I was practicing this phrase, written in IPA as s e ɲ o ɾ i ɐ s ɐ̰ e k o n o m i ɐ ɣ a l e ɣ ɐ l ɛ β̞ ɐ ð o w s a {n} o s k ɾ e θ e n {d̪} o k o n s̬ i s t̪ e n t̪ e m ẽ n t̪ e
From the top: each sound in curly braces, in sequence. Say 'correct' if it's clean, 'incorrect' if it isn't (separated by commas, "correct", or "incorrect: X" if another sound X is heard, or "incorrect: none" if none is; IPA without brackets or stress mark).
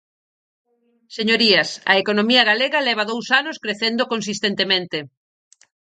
correct, correct